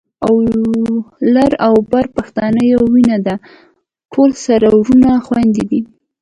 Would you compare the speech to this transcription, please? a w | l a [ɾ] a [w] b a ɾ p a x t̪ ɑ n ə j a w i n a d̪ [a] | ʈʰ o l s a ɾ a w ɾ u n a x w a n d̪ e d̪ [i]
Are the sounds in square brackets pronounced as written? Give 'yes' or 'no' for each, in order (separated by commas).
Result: yes, yes, yes, yes